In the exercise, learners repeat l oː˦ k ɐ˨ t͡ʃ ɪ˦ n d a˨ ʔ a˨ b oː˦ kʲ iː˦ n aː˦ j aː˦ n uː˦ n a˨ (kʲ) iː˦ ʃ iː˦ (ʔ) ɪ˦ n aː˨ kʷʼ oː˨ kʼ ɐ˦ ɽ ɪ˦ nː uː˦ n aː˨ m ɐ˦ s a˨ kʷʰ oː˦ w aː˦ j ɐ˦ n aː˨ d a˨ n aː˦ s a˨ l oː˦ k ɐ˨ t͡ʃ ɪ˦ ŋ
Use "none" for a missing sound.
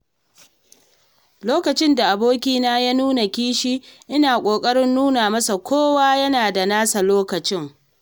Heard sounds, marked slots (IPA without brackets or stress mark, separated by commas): kʲ, ʔ